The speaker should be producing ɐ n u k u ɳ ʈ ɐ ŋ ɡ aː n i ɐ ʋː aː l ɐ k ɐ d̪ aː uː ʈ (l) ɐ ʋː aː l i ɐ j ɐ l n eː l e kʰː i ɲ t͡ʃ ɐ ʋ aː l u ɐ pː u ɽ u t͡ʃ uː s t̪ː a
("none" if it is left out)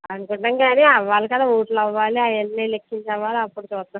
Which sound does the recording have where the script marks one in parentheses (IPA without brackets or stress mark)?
l